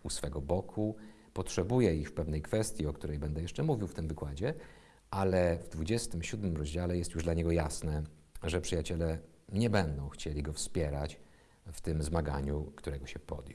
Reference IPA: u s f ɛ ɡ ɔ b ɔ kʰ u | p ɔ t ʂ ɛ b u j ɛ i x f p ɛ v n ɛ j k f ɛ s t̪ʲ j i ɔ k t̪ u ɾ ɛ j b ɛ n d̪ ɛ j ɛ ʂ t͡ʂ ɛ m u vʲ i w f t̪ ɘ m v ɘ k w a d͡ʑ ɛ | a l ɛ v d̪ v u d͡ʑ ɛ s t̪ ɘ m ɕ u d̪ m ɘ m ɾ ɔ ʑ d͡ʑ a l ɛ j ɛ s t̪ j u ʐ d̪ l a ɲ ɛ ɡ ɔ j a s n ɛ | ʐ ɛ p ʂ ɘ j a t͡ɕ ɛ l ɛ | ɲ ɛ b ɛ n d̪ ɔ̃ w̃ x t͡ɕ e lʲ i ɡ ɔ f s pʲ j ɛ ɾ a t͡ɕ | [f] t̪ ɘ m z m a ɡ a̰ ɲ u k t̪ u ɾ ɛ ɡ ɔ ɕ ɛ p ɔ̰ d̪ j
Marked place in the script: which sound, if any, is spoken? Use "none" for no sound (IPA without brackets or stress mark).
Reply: f